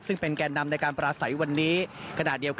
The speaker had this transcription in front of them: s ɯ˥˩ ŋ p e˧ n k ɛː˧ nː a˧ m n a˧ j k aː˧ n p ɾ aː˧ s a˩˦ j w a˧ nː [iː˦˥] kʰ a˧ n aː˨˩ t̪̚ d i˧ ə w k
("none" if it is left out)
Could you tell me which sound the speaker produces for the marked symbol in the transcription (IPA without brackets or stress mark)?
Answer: iː˦˥